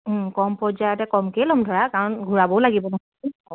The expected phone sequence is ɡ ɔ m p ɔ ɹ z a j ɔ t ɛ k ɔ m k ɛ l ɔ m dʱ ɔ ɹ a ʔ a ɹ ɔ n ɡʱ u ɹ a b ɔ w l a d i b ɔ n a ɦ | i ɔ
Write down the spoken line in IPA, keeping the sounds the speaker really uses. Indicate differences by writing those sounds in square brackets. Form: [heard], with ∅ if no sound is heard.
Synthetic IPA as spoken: [k] ɔ m p ɔ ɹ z a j ɔ t ɛ k ɔ m k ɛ l ɔ m dʱ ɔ ɹ a [k] a ɹ ɔ n ɡʱ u ɹ a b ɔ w l a [ɡ] i b ɔ n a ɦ | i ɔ